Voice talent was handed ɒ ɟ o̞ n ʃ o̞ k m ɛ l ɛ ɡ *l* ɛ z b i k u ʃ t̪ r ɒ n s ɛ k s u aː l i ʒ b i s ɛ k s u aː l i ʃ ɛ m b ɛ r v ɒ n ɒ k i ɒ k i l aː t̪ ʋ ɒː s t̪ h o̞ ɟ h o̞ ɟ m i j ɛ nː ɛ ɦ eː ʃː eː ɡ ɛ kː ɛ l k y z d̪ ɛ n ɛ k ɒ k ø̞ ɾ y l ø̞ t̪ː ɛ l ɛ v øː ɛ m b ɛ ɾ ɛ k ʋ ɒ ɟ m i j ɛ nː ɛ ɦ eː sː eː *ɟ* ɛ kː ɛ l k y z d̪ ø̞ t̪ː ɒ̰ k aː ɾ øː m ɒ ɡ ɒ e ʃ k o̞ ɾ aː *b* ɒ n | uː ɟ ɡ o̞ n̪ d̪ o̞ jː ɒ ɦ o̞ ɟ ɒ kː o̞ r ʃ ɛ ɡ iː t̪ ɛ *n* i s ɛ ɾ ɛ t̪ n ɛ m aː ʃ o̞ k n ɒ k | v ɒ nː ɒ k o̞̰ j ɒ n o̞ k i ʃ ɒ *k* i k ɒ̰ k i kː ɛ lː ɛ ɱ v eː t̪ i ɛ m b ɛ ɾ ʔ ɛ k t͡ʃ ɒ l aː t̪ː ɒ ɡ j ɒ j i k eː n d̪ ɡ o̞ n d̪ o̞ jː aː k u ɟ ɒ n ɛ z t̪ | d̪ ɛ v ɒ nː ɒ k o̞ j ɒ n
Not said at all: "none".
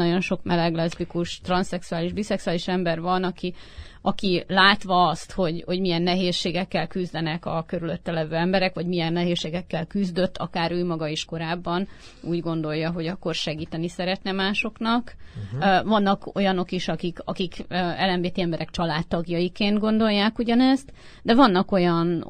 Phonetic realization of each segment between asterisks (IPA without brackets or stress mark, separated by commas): l, ɡ, bː, n, k